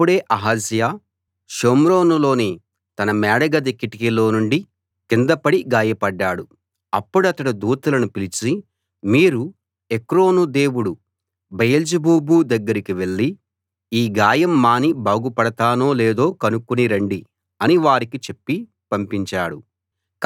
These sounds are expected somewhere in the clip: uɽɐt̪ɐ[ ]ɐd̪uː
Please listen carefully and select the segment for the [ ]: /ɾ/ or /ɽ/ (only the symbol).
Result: ɽ